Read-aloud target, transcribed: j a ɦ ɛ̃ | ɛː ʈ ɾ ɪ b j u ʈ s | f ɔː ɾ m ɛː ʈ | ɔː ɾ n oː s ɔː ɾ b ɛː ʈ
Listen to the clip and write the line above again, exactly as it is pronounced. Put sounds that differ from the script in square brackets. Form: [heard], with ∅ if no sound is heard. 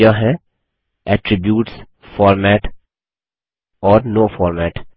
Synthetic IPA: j a ɦ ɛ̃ | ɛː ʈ ɾ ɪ b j [uː] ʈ s | f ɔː ɾ m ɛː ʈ | ɔː ɾ n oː [f] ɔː ɾ [m] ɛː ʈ

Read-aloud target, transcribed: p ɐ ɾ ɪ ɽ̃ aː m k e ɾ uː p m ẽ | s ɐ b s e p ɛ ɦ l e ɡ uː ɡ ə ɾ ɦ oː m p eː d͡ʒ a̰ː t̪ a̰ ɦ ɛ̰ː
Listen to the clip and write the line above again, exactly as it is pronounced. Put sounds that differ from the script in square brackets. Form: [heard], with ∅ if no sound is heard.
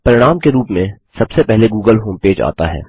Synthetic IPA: p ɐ ɾ ɪ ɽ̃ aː m k e ɾ uː p m ẽ | s ɐ b s e p ɛ ɦ l e ɡ uː ɡ ə [l] ɦ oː m p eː d͡ʒ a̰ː t̪ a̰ ɦ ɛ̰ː

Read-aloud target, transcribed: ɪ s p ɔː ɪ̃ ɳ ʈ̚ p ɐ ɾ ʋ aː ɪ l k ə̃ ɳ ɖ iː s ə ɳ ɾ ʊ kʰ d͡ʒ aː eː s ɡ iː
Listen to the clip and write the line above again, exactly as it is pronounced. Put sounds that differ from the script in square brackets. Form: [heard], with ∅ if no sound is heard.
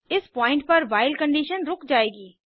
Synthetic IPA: ɪ s p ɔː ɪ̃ ɳ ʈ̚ p ɐ ɾ ʋ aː ɪ l k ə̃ ɳ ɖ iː [ʃ] ə [n] ɾ ʊ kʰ d͡ʒ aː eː [∅] ɡ iː

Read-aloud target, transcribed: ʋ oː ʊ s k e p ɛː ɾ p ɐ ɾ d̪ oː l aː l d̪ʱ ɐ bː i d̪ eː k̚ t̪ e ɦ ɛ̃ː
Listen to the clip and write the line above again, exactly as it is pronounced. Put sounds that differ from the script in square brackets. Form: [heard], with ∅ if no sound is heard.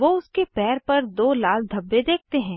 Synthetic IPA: ʋ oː ʊ s k e p ɛː ɾ p ɐ ɾ d̪ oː l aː l d̪ʱ ɐ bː [e] d̪ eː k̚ t̪ e ɦ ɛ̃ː

